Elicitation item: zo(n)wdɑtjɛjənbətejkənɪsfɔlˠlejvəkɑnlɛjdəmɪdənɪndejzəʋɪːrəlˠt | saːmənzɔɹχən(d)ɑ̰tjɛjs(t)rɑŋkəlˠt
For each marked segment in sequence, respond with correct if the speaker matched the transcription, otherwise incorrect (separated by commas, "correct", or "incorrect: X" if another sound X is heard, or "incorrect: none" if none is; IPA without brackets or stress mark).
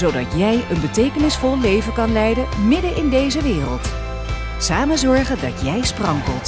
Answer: incorrect: none, correct, incorrect: p